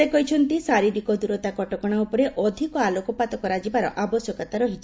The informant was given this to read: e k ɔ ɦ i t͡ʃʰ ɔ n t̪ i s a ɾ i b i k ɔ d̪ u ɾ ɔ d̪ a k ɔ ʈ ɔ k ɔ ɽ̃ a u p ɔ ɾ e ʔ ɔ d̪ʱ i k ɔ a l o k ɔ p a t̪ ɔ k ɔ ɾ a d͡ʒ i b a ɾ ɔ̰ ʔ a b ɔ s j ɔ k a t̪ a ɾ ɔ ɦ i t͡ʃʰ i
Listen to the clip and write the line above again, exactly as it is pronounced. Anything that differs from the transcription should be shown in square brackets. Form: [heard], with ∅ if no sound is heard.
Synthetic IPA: e k ɔ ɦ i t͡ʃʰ ɔ n t̪ i s a ɾ i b i k ɔ d̪ u ɾ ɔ [t̪] a k ɔ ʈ ɔ k ɔ ɽ̃ a u p ɔ ɾ e ʔ ɔ d̪ʱ i k ɔ a l o k ɔ p a t̪ ɔ k ɔ ɾ a d͡ʒ i b a ɾ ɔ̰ ʔ a b ɔ s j ɔ k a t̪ a ɾ ɔ ɦ i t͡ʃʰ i